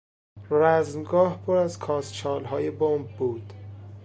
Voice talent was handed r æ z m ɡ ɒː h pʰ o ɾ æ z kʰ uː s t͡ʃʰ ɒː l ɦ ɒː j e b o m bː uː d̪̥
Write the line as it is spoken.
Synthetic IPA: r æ z m ɡ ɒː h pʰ o ɾ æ z kʰ ɒː s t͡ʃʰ ɒː l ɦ ɒː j e b o m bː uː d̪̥